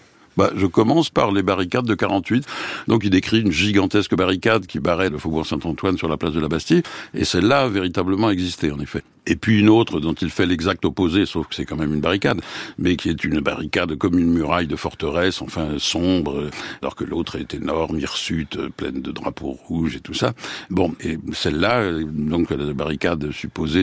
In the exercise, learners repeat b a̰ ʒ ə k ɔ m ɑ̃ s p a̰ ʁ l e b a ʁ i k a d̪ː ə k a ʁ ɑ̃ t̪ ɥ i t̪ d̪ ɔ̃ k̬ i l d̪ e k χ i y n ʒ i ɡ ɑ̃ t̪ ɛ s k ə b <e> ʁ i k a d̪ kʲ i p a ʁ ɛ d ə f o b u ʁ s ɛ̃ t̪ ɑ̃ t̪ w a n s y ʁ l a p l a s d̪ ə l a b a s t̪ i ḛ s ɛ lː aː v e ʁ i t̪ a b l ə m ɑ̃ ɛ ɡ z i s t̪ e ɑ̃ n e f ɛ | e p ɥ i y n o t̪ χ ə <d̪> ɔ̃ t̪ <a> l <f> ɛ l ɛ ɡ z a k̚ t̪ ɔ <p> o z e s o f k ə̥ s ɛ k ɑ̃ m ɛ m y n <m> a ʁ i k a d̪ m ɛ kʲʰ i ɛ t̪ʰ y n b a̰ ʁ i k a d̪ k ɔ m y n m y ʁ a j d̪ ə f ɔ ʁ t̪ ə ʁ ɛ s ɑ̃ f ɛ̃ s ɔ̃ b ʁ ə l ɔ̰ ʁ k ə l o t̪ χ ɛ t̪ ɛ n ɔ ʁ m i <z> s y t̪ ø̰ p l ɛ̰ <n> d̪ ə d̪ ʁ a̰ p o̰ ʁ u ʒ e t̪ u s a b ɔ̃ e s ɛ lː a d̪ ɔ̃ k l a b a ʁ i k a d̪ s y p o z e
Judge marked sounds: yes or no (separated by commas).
no, yes, no, yes, yes, no, no, yes